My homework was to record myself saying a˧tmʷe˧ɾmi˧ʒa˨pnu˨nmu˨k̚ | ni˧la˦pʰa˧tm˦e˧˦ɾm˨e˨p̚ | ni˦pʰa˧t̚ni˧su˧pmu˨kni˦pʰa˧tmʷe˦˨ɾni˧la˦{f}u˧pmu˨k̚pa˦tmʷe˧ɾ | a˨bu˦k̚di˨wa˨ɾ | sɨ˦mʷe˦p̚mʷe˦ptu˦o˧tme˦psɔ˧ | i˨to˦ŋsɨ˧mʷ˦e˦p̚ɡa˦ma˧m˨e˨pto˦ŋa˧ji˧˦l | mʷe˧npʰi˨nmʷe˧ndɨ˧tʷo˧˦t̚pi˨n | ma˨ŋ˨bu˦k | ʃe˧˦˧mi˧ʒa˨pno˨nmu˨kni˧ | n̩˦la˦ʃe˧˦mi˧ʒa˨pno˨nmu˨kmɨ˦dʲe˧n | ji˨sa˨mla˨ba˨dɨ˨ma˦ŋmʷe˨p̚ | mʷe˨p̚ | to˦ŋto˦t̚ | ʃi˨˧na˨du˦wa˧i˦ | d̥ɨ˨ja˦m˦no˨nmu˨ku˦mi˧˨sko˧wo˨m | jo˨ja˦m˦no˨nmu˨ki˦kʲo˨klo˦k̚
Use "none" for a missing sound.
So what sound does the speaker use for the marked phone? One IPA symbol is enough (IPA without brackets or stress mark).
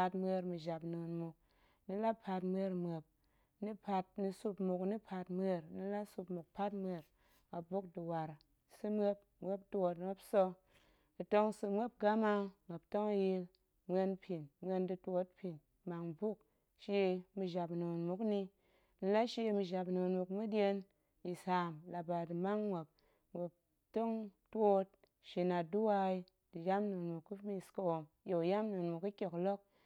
s